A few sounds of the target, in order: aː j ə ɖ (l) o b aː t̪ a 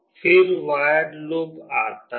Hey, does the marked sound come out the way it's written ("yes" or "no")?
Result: yes